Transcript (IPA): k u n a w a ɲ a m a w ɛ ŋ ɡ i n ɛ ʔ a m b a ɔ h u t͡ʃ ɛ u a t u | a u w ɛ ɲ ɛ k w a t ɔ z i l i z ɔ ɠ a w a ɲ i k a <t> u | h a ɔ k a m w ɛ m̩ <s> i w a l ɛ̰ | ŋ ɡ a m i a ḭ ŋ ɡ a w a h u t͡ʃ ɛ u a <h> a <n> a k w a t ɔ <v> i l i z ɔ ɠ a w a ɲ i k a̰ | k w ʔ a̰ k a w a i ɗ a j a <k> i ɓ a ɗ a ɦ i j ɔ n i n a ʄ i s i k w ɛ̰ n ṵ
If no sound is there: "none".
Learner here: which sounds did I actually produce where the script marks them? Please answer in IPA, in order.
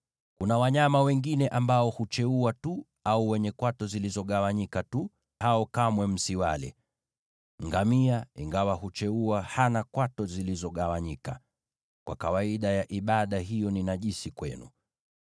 t, s, h, n, z, ʔ

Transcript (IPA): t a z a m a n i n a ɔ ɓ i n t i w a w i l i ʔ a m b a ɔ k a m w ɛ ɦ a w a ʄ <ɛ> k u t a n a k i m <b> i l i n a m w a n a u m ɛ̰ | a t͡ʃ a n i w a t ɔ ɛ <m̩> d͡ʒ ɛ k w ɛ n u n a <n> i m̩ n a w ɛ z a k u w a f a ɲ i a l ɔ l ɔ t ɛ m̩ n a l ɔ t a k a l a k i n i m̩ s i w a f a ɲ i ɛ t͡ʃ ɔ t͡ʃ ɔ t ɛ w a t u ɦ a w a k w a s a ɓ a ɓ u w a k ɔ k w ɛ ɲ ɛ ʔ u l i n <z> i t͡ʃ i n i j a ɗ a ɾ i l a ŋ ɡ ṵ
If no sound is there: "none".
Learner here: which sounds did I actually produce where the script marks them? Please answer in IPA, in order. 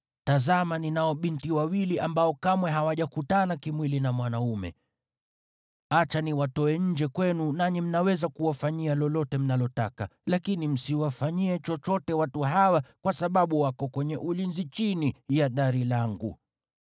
a, w, ɲ̩, ɲ, z

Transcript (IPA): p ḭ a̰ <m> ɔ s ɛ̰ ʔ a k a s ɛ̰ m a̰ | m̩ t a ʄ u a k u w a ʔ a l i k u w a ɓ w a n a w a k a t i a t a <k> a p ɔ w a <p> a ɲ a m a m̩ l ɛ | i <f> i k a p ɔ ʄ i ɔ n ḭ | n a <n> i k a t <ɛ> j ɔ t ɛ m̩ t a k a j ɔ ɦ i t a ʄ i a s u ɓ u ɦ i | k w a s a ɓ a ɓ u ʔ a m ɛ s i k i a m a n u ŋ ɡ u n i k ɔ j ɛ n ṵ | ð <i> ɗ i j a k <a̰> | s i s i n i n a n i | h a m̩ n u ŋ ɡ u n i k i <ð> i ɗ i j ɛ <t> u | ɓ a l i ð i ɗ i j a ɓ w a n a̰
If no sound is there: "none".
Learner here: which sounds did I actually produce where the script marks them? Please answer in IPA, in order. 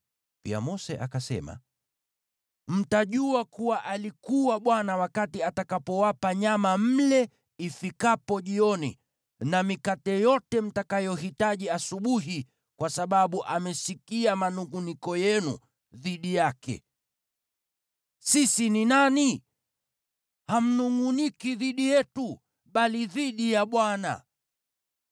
m, k, p, f, m, ɛ, i, ɛ̰, ð, t

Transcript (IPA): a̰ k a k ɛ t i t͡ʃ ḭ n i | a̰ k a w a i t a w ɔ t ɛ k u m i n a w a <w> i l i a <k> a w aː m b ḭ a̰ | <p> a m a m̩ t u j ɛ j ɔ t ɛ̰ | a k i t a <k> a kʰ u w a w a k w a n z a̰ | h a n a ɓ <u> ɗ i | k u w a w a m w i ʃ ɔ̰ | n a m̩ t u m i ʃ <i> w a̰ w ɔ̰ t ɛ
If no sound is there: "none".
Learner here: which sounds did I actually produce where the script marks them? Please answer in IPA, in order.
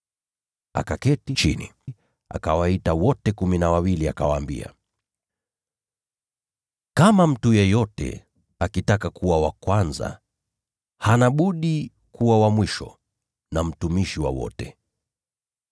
w, k, k, k, u, i

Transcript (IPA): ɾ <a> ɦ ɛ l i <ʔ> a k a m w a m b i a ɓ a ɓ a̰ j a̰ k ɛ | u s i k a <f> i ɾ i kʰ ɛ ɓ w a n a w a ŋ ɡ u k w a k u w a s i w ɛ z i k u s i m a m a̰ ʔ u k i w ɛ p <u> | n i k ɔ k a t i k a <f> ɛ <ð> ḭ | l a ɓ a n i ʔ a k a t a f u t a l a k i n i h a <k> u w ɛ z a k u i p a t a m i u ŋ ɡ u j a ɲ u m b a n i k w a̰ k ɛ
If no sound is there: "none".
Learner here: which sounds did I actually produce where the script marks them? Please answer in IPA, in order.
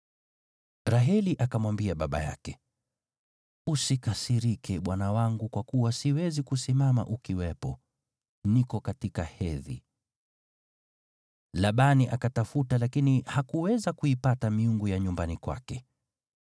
a, ʔ, s, ɔ, h, ð, k

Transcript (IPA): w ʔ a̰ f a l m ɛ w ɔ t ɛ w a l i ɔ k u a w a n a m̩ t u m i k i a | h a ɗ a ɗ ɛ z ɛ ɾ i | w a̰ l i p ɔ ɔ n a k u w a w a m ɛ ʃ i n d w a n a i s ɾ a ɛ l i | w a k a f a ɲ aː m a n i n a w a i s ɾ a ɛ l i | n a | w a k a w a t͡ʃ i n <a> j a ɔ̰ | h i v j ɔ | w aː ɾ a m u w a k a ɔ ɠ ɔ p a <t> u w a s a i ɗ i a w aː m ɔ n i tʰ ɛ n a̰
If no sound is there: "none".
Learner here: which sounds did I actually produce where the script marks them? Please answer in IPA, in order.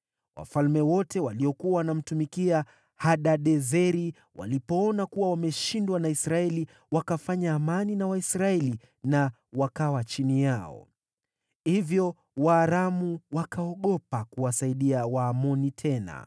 i, k

